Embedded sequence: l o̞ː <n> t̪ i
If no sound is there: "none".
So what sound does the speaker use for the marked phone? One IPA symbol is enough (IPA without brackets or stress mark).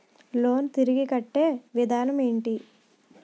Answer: n